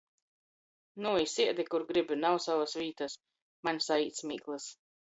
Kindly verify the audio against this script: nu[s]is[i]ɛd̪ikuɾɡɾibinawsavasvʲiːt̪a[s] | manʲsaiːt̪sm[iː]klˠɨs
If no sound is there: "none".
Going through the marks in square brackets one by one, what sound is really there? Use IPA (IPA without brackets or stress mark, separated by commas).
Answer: none, i, s, iː